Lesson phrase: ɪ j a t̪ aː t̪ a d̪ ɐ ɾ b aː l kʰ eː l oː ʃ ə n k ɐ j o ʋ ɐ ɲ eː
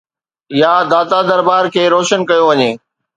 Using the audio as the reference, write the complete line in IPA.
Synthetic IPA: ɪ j a d̪ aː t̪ a d̪ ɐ ɾ b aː ɾ kʰ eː ɾ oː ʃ ə n k ɐ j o ʋ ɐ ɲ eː